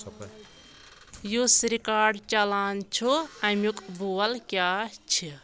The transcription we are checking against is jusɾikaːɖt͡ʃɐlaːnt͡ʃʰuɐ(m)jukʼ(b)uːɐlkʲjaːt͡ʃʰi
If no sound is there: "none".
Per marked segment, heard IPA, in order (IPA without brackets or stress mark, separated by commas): m, b